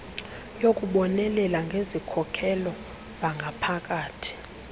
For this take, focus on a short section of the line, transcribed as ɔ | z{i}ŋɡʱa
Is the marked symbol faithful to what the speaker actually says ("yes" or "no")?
no